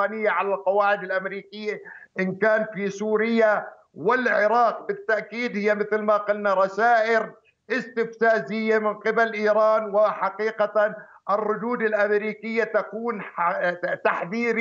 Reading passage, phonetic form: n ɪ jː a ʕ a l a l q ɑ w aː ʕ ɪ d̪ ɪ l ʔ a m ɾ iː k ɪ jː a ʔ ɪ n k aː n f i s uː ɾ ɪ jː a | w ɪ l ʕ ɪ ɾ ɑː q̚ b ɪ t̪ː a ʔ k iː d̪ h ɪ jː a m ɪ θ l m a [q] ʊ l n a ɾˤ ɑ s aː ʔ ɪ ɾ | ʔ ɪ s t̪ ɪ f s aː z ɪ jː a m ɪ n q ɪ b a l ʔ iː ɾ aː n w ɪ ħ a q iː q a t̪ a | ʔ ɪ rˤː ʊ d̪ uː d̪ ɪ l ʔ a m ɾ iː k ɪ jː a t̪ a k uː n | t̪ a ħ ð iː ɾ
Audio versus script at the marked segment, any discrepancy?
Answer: no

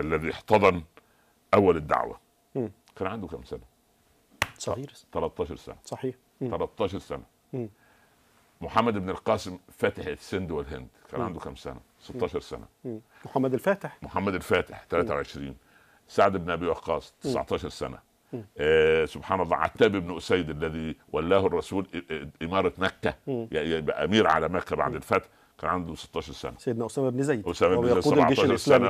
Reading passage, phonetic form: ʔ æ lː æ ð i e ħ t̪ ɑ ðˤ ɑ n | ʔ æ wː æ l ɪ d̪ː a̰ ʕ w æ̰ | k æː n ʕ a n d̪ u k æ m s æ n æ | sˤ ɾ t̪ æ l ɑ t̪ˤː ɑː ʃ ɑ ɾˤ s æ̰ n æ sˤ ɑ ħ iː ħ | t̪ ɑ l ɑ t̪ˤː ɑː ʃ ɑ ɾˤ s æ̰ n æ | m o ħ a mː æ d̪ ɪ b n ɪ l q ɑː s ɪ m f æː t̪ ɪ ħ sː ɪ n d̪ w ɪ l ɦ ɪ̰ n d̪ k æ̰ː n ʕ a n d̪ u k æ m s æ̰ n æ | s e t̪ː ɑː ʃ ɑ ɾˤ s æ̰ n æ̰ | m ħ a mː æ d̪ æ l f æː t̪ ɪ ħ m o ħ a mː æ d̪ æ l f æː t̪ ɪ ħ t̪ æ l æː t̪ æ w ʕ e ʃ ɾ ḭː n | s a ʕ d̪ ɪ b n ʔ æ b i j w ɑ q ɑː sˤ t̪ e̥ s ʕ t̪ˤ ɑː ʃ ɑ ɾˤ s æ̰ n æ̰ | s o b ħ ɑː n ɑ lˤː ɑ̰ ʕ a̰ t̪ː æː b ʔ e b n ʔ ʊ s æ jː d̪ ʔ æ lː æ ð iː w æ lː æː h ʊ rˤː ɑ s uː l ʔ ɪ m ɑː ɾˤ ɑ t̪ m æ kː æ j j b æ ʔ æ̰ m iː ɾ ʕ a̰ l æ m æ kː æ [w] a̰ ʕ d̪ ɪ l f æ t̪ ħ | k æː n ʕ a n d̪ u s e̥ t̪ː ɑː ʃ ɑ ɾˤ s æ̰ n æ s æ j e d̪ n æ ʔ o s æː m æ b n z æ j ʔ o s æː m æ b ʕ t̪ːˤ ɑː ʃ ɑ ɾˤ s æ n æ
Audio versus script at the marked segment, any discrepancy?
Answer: yes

